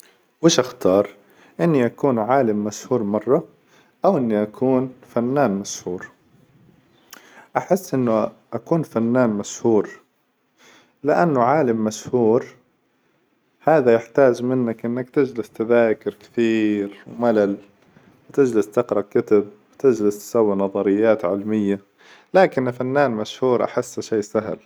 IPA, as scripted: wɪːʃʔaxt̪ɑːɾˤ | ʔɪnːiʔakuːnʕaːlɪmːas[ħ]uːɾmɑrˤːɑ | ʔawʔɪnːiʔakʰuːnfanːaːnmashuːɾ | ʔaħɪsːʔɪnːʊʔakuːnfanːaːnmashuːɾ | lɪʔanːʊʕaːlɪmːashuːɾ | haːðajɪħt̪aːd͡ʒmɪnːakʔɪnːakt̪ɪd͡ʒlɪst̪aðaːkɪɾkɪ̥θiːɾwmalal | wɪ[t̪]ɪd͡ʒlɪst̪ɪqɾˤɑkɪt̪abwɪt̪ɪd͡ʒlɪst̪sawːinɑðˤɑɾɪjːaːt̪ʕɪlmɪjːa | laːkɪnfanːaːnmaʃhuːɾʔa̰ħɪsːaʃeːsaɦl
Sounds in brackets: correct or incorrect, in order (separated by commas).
incorrect, correct